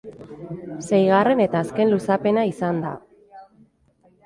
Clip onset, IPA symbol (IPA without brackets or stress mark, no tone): s